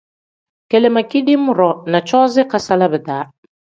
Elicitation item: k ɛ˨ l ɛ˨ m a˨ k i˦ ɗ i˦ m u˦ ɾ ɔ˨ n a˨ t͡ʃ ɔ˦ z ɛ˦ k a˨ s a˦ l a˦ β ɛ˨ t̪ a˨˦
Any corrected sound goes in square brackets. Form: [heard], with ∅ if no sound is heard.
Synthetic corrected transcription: k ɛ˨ l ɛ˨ m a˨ k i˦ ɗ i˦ m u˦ ɾ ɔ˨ n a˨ t͡ʃ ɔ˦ z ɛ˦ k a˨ s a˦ l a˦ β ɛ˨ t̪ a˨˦